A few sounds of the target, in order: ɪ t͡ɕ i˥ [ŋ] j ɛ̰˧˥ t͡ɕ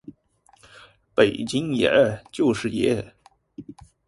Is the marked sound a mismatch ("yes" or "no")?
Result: no